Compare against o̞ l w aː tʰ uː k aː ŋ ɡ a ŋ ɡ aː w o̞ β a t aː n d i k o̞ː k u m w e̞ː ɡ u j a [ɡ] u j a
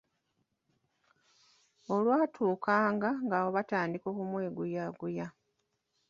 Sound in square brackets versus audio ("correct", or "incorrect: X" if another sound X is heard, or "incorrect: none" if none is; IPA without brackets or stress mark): correct